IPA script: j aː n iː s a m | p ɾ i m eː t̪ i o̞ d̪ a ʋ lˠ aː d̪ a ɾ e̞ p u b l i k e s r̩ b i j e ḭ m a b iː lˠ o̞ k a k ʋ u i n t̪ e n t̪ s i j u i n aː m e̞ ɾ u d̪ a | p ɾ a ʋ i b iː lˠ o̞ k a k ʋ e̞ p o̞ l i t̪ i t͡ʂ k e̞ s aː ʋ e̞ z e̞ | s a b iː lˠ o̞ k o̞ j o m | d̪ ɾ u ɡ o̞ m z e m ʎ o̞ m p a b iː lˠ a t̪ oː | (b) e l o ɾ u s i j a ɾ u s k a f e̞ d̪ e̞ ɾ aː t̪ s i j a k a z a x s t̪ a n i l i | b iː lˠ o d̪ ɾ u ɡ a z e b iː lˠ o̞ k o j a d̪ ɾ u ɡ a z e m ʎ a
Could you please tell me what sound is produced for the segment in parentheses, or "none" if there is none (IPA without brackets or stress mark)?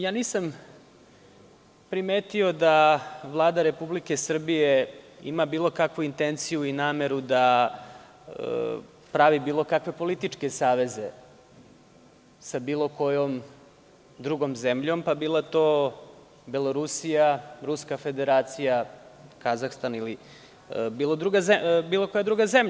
b